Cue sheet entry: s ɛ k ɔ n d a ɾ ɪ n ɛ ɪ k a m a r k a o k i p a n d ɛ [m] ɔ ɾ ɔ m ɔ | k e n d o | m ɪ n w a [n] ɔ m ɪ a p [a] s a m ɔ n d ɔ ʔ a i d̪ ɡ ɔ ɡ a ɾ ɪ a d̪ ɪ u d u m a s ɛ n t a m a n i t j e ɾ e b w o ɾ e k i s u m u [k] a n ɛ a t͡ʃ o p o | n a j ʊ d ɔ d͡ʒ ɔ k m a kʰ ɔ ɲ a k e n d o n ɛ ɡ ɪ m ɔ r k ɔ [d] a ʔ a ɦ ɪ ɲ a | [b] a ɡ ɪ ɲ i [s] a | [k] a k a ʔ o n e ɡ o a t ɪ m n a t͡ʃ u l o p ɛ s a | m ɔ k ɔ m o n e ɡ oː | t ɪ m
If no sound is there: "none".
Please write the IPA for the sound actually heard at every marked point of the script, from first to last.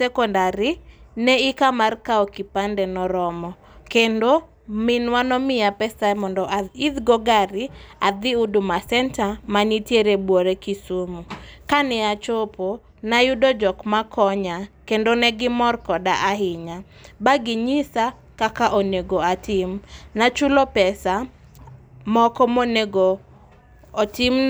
n, n, ɛ, k, d, b, s, k

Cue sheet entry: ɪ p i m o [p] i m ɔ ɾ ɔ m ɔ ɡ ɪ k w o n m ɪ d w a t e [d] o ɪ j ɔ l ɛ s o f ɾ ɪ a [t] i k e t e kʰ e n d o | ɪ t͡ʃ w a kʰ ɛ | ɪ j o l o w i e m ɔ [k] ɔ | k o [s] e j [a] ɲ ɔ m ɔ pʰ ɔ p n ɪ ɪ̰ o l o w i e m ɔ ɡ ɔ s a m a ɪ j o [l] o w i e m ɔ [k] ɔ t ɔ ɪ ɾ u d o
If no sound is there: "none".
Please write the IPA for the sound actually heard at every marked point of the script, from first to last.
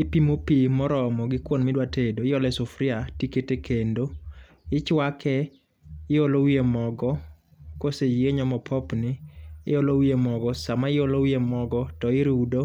p, d, t, ɡ, s, e, l, ɡ

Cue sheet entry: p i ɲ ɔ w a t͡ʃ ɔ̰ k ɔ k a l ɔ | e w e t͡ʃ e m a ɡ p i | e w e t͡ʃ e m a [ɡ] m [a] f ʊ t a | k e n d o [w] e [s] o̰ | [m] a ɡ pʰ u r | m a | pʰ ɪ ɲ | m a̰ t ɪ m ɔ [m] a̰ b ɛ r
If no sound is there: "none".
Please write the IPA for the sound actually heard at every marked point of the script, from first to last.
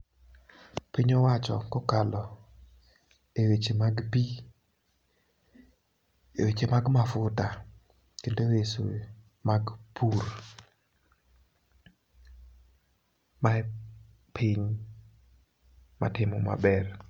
ɡ, a, w, s, m, m

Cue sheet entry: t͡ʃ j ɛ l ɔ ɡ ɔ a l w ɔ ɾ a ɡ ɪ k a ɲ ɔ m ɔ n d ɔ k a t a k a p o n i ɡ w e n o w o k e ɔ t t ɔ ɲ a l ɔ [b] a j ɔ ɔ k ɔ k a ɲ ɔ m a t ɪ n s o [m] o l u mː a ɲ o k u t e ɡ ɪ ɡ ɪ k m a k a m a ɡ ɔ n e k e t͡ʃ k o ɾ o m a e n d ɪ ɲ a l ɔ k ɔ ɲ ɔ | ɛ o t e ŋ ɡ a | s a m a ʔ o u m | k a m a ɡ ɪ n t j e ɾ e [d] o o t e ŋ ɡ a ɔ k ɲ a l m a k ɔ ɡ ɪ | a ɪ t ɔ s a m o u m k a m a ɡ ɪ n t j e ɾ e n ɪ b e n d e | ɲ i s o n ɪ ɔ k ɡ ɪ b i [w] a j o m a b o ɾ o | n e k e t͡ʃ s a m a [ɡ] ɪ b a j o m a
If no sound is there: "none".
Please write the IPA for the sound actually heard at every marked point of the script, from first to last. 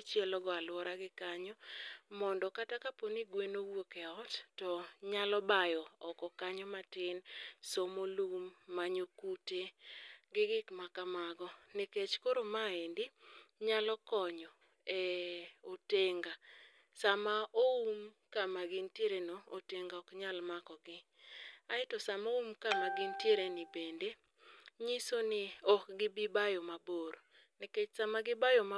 b, m, n, b, ɡ

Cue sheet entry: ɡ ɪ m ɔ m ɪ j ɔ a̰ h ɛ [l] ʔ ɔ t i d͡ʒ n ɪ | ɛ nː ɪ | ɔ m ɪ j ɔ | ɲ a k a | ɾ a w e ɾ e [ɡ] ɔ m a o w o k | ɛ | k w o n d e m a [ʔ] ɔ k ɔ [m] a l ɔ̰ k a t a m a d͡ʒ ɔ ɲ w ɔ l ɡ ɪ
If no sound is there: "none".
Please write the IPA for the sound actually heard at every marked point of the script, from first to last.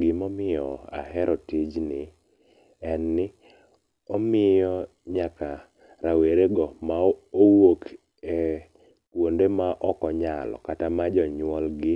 ɾ, ɡ, ʔ, ɲ

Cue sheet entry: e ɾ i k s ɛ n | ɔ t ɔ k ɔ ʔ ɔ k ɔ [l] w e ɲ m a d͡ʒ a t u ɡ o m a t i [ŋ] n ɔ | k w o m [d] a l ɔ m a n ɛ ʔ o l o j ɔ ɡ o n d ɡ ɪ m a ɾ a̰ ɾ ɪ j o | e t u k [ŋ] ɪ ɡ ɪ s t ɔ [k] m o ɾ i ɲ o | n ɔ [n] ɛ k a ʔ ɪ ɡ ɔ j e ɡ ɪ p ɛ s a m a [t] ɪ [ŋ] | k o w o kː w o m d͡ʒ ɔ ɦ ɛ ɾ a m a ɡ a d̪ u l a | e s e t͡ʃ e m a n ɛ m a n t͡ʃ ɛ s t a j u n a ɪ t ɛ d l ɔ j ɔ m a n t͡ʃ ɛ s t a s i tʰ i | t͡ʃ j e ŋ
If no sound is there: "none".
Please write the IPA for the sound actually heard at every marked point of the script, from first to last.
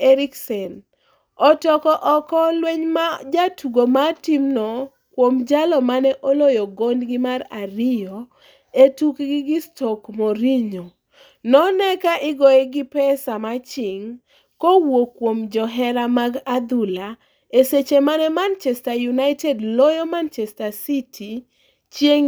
l, m, d͡ʒ, ɡ, k, n, t͡ʃ, ŋ

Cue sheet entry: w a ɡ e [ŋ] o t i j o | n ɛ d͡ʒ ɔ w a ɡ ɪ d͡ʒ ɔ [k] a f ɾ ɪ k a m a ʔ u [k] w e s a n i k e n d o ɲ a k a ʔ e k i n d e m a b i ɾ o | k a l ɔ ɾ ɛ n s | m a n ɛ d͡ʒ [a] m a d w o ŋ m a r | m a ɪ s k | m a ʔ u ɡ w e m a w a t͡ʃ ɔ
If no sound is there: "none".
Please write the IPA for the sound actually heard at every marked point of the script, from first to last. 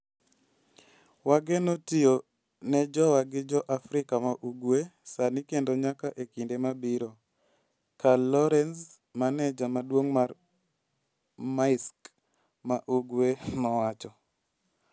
n, ʔ, ɡ, a

